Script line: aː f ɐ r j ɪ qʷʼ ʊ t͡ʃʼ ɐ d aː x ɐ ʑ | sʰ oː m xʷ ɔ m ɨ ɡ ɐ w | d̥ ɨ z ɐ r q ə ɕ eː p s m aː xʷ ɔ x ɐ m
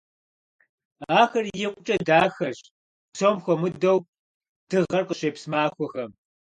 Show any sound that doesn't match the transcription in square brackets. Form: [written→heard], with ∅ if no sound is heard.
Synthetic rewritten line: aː [f→x] ɐ r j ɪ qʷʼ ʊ t͡ʃʼ ɐ d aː x ɐ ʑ | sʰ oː m xʷ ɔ m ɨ [ɡ→d] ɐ w | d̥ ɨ [z→ʁ] ɐ r q ə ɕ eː p s m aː xʷ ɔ x ɐ m